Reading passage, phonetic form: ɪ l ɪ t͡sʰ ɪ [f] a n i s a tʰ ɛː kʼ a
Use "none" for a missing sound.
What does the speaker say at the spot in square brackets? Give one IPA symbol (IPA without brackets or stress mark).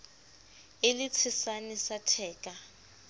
s